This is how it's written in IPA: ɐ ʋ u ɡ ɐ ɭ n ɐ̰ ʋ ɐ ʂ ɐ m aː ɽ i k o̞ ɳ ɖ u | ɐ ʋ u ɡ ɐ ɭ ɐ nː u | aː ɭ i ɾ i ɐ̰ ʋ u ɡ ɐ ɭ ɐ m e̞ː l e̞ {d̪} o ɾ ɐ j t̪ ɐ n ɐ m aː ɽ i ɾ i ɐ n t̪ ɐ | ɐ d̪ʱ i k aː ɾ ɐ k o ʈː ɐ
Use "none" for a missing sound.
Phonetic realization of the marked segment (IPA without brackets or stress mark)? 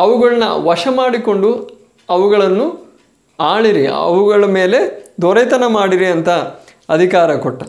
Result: d̪